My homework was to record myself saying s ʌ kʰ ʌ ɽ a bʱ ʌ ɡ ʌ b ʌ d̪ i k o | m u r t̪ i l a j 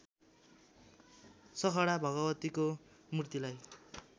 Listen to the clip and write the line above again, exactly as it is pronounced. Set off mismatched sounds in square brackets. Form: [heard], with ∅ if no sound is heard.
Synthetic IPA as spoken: s ʌ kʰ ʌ ɽ a bʱ ʌ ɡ ʌ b ʌ [t̪] i k o | m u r t̪ i l a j